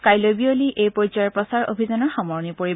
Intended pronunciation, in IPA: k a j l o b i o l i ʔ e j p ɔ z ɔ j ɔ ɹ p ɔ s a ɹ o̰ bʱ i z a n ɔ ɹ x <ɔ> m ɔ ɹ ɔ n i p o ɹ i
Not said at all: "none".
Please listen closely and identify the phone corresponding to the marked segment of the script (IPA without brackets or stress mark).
ɔ